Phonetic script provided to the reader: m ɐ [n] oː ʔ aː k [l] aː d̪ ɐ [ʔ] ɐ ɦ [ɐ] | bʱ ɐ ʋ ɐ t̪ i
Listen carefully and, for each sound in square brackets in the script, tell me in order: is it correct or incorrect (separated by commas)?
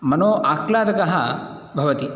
correct, correct, incorrect, correct